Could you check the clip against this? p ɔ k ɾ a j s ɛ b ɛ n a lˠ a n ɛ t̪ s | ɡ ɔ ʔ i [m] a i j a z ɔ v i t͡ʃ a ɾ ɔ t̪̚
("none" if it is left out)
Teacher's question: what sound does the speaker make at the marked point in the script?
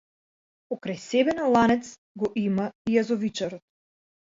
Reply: m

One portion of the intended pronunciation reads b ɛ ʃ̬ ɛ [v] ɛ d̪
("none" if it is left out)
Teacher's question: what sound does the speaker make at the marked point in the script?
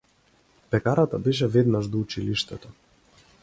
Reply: v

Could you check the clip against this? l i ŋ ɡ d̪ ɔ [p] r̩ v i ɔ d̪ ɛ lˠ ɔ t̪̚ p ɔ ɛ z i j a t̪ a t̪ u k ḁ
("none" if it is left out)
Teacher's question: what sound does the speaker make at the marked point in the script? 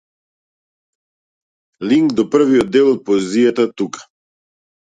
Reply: p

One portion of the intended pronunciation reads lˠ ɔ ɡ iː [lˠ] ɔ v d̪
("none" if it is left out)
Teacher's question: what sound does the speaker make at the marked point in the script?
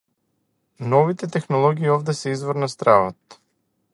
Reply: none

